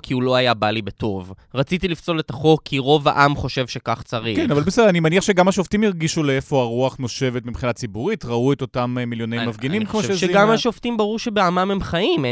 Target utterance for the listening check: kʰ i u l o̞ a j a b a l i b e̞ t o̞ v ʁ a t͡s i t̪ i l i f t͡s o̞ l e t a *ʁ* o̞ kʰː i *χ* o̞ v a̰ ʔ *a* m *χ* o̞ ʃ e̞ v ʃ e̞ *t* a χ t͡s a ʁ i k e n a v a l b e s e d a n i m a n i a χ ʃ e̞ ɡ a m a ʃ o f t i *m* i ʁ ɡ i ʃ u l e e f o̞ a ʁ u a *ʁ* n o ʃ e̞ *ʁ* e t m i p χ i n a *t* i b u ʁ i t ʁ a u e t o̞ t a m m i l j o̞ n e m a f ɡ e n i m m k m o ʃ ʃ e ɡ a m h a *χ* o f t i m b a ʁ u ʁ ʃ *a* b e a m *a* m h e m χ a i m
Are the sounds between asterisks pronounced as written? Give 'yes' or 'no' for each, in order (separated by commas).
no, no, yes, yes, no, yes, no, no, no, no, no, yes